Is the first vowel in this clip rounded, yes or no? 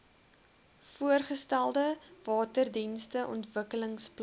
yes